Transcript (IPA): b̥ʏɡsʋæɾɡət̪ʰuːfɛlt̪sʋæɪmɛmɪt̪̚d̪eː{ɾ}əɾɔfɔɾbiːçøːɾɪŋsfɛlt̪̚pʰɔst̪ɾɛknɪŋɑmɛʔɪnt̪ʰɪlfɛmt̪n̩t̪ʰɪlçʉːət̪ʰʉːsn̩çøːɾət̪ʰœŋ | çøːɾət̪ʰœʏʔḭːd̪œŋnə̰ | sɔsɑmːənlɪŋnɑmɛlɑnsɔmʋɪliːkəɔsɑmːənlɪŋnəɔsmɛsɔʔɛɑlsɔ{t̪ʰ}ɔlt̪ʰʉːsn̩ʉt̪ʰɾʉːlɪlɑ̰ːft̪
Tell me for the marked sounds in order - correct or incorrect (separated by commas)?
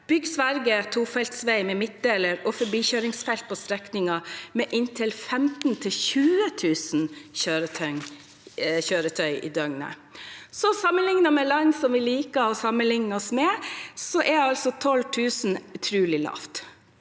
incorrect, correct